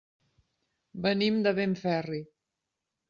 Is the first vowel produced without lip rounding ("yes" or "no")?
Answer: yes